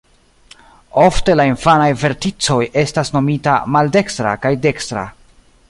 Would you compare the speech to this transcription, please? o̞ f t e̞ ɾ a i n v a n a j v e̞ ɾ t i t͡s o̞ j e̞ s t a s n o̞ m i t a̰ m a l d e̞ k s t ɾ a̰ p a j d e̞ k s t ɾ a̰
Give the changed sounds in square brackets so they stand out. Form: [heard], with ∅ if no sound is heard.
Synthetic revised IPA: o̞ f t e̞ [l] a i n [f] a n a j v e̞ ɾ t i t͡s o̞ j e̞ s t a s n o̞ m i t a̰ m a l d e̞ k s t ɾ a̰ [k] a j d e̞ k s t ɾ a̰